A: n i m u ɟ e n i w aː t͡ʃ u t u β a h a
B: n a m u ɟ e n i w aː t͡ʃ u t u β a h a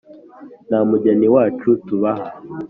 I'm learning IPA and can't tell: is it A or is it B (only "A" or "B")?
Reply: B